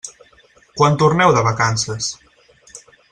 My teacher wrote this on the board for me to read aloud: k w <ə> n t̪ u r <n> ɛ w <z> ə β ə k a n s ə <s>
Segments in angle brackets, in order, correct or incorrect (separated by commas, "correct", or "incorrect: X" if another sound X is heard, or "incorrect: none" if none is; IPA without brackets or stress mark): incorrect: a, correct, incorrect: ð, correct